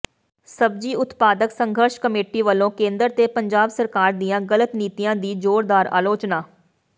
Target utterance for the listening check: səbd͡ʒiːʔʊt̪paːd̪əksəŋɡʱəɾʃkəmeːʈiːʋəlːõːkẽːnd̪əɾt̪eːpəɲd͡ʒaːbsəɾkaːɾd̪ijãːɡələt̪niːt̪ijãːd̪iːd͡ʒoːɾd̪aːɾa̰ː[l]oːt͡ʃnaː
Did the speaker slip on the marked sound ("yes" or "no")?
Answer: no